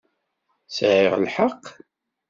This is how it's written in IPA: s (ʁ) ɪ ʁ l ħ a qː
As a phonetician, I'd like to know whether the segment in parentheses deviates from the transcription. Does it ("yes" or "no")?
yes